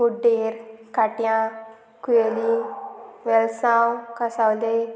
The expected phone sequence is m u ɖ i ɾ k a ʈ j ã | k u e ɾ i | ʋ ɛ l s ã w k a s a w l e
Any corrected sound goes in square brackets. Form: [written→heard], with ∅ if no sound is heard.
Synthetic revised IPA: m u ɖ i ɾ k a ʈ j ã | k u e [ɾ→l] i | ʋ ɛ l s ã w k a s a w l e